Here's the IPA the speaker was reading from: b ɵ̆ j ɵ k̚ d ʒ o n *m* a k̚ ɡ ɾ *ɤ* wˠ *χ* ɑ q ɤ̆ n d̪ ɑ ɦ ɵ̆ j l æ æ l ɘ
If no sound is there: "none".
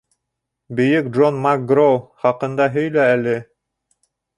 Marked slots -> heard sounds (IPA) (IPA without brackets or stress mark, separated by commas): m, o, χ